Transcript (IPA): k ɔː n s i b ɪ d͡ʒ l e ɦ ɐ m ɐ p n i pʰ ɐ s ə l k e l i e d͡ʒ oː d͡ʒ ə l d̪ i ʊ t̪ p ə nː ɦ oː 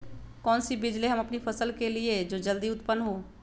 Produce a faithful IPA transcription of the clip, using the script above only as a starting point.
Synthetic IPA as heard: k ɔː n s i b ɪ d͡ʒ l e ɦ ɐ m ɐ p n i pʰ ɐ s ə l k e l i e d͡ʒ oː d͡ʒ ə l d̪ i ʊ t̪ p ə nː ɦ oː

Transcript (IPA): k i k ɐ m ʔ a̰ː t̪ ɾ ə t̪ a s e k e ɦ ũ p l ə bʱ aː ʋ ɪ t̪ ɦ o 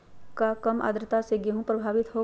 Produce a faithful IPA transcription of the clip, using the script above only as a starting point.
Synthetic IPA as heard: k a k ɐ m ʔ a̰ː d̪ ɾ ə t̪ a s e ɡ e ɦ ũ p ɾ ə bʱ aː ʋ ɪ t̪ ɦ o

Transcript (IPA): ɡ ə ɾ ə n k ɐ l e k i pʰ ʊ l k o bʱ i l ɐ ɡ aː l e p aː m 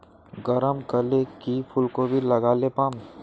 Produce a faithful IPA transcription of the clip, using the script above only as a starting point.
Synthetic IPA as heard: ɡ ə ɾ ə m k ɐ l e k i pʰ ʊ l k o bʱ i l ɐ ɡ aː l e p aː m

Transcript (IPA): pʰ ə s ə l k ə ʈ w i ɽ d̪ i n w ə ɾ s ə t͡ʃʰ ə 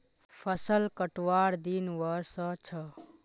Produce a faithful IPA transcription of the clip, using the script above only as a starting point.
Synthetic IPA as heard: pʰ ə s ə l k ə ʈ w a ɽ d̪ i n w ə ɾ s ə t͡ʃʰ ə

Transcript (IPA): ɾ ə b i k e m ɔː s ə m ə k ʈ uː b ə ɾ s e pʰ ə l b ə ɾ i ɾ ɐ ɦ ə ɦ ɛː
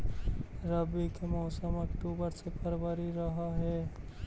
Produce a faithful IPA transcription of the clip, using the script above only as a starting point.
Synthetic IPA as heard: ɾ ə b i k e m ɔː s ə m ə k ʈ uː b ə ɾ s e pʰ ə ɾ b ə ɾ i ɾ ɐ ɦ a ɦ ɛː

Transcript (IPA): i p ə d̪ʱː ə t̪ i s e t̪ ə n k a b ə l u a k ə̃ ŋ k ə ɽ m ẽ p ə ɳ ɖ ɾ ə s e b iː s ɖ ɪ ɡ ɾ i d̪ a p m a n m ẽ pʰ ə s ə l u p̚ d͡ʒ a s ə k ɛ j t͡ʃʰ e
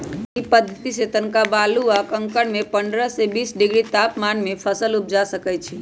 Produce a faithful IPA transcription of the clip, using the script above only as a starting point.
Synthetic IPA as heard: i p ə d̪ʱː ə t̪ i s e t̪ ə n k a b a l u a k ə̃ ŋ k ə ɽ m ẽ p ə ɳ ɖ ɾ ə s e b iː s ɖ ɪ ɡ ɾ i t̪ a p m a n m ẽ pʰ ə s ə l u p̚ d͡ʒ a s ə k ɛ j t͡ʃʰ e

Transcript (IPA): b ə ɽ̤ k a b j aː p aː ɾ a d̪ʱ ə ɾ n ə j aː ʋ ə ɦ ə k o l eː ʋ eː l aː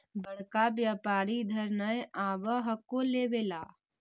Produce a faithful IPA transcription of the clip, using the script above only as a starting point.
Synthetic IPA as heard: b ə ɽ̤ k a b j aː p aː ɾ i d̪ʱ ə ɾ n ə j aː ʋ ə ɦ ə k o l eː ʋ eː l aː

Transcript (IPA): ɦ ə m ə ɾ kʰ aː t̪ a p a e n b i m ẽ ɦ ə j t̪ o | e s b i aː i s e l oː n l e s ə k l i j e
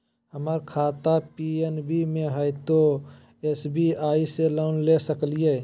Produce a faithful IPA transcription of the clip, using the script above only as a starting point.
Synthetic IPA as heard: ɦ ə m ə ɾ kʰ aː t̪ a p i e n b i m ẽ ɦ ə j t̪ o | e s b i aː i s e l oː n l e s ə k l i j e

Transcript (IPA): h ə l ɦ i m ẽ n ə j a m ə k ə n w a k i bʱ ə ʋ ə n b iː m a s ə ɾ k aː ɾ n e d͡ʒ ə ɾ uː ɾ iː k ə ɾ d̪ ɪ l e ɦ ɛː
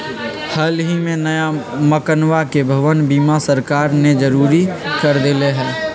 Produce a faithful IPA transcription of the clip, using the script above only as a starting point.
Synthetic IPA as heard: h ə l ɦ i m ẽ n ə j a m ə k ə n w a k e bʱ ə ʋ ə n b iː m a s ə ɾ k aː ɾ n e d͡ʒ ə ɾ uː ɾ i k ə ɾ d̪ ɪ l e ɦ ɛː

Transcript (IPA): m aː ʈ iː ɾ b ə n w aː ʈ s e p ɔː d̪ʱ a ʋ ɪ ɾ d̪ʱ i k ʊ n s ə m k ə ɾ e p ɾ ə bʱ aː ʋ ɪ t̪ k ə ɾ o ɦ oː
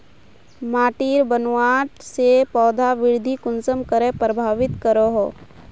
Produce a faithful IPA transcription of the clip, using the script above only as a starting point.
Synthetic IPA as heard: m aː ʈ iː ɾ b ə n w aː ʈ s e p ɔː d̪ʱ a ʋ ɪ ɾ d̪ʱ i k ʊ n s ə m k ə ɾ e p ɾ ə bʱ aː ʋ ɪ t̪ k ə ɾ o ɦ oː

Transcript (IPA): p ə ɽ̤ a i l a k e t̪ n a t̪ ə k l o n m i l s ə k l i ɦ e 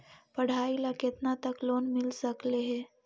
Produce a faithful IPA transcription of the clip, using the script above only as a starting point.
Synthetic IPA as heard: p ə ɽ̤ a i l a k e t̪ n a t̪ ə k l o n m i l s ə k l e ɦ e

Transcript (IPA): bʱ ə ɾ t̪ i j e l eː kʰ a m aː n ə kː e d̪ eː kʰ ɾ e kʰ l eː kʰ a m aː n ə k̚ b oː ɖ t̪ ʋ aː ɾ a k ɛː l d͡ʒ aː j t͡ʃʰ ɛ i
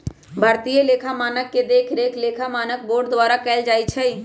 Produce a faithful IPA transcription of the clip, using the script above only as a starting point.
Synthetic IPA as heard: bʱ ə ɾ t̪ i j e l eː kʰ a m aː n ə kː e d̪ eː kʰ ɾ e kʰ l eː kʰ a m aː n ə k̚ b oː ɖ d̪ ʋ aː ɾ a k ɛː l d͡ʒ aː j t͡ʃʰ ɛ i

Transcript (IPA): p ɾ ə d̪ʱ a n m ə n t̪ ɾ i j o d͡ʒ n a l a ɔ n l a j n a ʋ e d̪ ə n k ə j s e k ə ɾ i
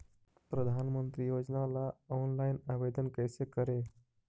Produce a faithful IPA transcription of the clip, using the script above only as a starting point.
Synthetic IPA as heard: p ɾ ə d̪ʱ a n m ə n t̪ ɾ i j o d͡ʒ n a l a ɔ n l a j n a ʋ e d̪ ə n k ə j s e k ə ɾ e

